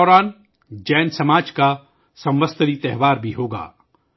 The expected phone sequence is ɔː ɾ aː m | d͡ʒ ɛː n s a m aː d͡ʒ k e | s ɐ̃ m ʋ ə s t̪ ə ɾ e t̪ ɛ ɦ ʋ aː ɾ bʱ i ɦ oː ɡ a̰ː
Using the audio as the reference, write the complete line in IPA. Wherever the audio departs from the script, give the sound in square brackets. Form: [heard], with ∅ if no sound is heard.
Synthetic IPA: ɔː ɾ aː [n] | d͡ʒ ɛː n s [ɐ] m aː d͡ʒ k [a] | s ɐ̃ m ʋ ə s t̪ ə ɾ [i] t̪ ɛ ɦ ʋ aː ɾ bʱ i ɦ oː ɡ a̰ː